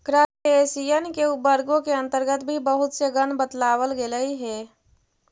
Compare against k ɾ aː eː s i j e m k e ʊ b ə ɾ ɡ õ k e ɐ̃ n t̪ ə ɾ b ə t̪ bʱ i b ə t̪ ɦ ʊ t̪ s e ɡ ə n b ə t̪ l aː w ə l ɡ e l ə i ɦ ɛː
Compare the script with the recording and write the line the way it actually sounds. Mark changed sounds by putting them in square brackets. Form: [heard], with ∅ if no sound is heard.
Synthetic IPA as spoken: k ɾ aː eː s i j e [n] k e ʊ b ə ɾ ɡ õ k e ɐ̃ n t̪ ə ɾ [ɡ] ə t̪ bʱ i b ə [∅] ɦ ʊ t̪ s e ɡ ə n b ə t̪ l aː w ə l ɡ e l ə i ɦ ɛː